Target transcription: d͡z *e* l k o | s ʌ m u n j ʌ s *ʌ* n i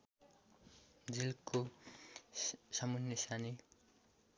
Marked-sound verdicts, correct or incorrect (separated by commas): incorrect, incorrect